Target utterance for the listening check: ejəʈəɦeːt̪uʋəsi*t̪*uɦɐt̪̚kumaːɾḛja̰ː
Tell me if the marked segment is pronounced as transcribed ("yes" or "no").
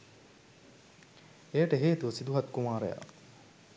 no